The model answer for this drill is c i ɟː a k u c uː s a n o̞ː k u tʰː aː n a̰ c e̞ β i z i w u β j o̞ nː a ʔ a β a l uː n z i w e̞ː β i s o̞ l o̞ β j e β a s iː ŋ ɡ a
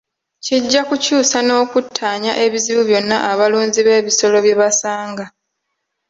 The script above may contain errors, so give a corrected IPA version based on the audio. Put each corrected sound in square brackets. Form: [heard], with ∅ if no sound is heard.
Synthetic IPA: c i ɟː a k u c uː s a n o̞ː k u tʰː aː [ɲ] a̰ [ʔ] e̞ β i z i [β] u β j o̞ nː a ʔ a β a l uː n z i [β] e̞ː β i s o̞ l o̞ β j e β a s [aː] ŋ ɡ a

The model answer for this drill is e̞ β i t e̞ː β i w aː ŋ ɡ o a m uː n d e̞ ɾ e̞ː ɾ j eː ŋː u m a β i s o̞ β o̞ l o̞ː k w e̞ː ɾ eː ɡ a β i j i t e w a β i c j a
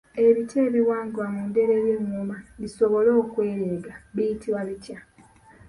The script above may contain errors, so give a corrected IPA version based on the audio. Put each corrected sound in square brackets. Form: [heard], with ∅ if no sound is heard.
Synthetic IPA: e̞ β i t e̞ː β i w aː ŋ ɡ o a m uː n d e̞ ɾ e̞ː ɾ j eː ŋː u m a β i s o̞ β o̞ l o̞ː k w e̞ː ɾ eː ɡ a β i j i t [i] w a β i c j a

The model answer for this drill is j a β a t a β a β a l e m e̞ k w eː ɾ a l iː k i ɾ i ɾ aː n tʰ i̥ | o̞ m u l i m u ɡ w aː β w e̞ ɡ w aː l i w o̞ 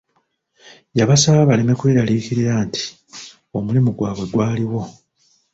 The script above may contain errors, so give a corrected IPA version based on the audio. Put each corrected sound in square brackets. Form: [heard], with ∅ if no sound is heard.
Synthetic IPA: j a β a [s] a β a β a l e m e̞ k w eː ɾ a l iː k i ɾ i ɾ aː n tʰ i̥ | o̞ m u l i m u ɡ w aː β w e̞ ɡ w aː l i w o̞

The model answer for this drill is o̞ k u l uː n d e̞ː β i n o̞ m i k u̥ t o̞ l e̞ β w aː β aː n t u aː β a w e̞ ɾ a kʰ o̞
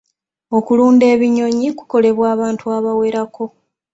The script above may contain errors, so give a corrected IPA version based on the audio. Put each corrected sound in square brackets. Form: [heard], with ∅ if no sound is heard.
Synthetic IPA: o̞ k u l uː n d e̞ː β i [ɲ] o̞ [ɲ] i k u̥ [k] o̞ l e̞ β w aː β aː n t u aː β a w e̞ ɾ a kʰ o̞

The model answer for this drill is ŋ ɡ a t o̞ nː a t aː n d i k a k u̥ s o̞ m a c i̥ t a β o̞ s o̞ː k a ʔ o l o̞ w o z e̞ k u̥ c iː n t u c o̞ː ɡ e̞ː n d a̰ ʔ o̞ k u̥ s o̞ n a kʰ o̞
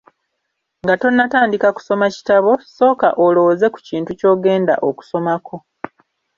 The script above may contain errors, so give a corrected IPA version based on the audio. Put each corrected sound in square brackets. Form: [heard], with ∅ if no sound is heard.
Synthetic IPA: ŋ ɡ a t o̞ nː a t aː n d i k a k u̥ s o̞ m a c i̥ t a β o̞ s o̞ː k a ʔ o l o̞ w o z e̞ k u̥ c iː n t u c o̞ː ɡ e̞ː n d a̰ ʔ o̞ k u̥ s o̞ [m] a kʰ o̞

